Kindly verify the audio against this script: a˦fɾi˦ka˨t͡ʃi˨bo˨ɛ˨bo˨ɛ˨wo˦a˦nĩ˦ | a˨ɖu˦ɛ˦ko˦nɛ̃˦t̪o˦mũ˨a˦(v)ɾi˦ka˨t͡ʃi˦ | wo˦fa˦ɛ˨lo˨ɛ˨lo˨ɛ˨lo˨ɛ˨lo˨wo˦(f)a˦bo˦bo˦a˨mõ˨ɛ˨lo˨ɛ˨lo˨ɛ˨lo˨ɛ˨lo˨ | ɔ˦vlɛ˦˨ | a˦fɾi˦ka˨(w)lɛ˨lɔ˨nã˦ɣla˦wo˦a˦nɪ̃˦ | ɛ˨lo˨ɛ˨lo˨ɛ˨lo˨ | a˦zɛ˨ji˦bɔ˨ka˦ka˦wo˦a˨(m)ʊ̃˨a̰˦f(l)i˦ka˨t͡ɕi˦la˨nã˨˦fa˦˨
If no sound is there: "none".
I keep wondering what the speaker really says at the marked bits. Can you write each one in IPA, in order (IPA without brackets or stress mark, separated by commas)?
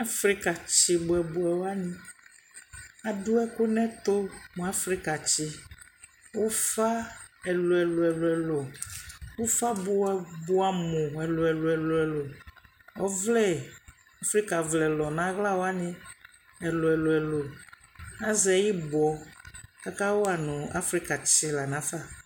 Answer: f, f, v, n, ɾ